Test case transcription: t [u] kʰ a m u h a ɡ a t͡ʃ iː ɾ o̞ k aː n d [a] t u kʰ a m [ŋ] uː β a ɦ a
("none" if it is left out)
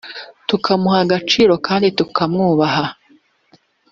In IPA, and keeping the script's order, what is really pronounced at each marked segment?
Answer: u, i, ŋ

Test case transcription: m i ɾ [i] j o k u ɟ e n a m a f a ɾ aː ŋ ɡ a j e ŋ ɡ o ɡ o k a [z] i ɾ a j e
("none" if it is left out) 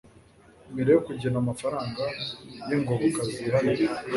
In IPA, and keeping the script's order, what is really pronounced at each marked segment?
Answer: e, z

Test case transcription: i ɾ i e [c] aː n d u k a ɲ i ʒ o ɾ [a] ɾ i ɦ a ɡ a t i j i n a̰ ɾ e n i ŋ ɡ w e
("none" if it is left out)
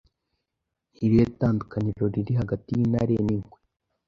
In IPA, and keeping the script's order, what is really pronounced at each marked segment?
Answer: t, i

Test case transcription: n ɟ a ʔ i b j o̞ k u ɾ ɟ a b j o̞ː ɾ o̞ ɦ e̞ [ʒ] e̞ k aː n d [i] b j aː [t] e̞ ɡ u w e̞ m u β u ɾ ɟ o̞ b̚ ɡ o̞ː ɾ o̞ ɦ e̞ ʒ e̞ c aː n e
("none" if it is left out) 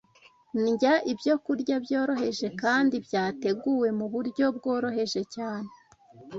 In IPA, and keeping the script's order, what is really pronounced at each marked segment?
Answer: ʒ, i, t

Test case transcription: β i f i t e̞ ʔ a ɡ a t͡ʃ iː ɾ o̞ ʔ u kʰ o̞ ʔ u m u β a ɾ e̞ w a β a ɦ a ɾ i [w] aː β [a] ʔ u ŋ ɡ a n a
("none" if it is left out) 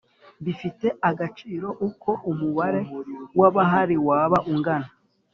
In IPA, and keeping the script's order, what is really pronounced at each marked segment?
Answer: w, a

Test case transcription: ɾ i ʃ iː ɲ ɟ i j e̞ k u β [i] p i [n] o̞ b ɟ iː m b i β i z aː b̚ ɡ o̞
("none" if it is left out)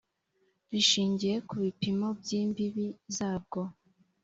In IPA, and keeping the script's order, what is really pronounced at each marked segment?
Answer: i, m

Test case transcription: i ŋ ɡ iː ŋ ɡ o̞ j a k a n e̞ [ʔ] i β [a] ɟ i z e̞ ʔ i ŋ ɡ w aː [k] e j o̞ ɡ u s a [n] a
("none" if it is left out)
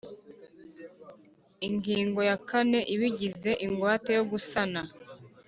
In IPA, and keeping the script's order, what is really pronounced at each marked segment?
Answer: ʔ, i, t, n

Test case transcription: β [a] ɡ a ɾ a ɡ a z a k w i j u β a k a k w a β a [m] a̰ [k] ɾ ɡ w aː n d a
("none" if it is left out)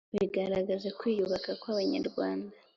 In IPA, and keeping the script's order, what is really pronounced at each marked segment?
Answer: i, ɲ, none

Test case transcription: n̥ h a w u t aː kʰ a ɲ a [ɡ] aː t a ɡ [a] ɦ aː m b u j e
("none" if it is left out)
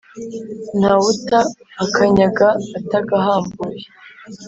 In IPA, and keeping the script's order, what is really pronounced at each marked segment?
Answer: ɡ, a

